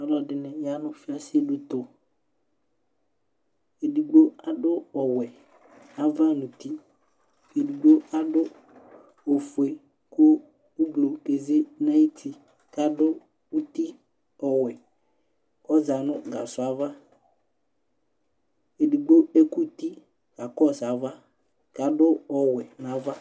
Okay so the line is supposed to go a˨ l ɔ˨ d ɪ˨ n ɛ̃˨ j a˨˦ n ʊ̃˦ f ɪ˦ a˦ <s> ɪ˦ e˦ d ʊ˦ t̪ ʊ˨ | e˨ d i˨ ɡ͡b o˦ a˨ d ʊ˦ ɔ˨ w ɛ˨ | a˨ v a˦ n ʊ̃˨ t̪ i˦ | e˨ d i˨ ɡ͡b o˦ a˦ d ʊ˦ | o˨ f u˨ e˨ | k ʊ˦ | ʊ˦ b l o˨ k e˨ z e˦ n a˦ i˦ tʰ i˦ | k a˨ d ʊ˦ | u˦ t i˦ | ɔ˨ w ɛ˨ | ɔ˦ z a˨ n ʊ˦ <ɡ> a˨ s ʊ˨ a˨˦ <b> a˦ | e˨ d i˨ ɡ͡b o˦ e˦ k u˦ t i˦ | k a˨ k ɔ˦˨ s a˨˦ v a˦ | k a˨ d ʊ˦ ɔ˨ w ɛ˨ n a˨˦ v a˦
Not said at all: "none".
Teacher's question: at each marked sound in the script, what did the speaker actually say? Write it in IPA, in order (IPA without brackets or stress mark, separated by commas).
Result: s, ɡ, v